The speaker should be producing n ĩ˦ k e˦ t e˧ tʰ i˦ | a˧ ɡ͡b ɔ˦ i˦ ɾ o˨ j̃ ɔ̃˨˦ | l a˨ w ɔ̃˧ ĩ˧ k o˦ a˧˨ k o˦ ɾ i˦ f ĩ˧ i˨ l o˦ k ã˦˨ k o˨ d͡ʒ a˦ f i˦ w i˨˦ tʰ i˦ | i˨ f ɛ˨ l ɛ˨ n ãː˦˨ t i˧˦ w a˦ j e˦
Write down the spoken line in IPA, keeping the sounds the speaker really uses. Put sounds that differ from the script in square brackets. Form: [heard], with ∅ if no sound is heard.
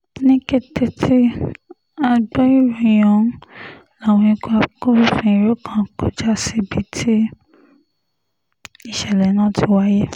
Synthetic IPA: n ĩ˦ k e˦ t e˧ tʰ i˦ | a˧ ɡ͡b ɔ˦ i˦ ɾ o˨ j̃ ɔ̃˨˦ | l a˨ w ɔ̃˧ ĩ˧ k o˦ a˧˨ k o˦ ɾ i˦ f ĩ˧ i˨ [ɾ] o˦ k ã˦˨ k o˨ d͡ʒ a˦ [s] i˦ [b] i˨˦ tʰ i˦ | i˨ [ʃ] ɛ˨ l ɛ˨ n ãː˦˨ t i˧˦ w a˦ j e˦